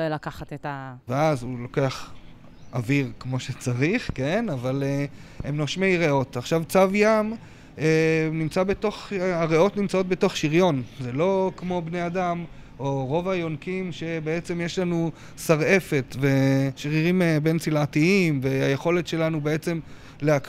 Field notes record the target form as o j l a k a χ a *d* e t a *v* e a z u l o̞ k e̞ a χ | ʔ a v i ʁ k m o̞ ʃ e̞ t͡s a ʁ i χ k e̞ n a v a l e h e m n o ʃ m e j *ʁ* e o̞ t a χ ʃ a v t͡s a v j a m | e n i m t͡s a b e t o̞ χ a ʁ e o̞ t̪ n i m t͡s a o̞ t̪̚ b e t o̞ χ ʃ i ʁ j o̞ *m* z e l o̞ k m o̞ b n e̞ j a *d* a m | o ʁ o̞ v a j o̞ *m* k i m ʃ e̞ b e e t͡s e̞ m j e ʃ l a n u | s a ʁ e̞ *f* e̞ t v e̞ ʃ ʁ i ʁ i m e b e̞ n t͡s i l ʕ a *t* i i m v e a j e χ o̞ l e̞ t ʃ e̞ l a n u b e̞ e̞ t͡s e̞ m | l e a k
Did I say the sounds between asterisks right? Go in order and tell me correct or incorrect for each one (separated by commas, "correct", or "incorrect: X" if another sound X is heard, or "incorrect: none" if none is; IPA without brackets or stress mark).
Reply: incorrect: t, correct, correct, incorrect: n, correct, incorrect: n, correct, correct